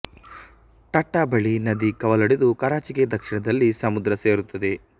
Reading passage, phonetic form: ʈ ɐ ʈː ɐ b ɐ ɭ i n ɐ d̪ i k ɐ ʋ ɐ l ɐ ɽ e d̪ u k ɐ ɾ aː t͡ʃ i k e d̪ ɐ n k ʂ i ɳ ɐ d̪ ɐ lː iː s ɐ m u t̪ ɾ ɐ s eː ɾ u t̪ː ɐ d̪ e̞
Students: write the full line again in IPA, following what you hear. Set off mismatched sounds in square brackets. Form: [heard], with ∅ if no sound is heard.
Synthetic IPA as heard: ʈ ɐ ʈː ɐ b ɐ ɭ i n ɐ d̪ i k ɐ ʋ ɐ l ɐ ɽ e d̪ u k ɐ ɾ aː t͡ʃ i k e d̪ ɐ [∅] k ʂ i ɳ ɐ d̪ ɐ lː [i] s ɐ m u [d̪] ɾ ɐ s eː ɾ u t̪ː ɐ d̪ e̞